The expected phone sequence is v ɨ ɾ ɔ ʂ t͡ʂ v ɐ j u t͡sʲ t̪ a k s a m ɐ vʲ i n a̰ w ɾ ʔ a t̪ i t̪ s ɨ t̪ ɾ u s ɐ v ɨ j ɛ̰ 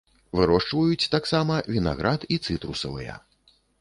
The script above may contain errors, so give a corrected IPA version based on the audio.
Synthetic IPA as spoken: v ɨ ɾ ɔ ʂ t͡ʂ v ɐ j u t͡sʲ t̪ a k s a m ɐ vʲ i n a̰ ɣ ɾ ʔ a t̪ i t̪ s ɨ t̪ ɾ u s ɐ v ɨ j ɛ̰